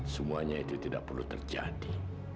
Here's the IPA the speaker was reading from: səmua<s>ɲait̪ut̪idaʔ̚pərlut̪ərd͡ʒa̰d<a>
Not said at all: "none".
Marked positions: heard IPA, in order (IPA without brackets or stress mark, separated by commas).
none, i